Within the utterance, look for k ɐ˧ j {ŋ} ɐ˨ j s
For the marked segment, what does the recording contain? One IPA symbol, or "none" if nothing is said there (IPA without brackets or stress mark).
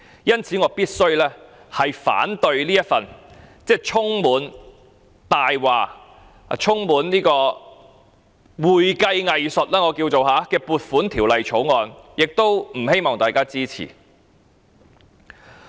ŋ